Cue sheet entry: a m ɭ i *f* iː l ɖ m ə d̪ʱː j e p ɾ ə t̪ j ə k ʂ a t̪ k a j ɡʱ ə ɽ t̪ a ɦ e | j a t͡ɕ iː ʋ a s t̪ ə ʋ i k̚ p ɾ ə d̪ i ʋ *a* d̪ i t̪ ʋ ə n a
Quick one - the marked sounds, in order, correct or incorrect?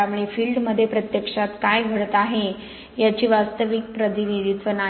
correct, incorrect: i

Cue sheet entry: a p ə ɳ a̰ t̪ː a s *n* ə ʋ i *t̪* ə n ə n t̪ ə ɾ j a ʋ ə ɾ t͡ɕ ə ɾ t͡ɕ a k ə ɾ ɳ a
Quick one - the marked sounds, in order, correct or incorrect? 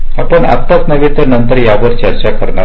correct, correct

